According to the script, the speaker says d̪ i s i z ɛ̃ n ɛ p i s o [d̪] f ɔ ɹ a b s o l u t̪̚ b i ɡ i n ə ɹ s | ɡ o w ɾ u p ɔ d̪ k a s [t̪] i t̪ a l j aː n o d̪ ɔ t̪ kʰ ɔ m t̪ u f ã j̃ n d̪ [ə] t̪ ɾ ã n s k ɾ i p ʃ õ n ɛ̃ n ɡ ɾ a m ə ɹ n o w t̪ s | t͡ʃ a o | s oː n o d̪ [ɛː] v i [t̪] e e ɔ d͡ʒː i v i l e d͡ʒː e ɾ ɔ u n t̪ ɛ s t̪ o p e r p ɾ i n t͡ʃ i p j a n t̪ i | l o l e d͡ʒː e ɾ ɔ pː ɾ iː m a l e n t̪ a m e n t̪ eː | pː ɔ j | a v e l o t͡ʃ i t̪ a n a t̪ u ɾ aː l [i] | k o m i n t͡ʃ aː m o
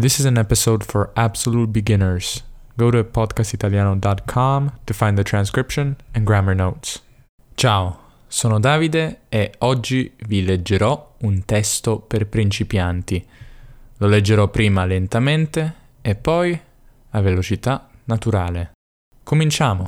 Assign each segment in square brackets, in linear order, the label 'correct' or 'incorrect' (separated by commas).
correct, correct, correct, incorrect, incorrect, incorrect